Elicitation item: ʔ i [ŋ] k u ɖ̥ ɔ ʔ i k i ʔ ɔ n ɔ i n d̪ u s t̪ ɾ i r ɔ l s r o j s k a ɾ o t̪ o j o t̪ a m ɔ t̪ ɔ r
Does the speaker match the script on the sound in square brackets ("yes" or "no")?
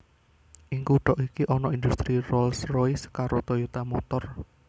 yes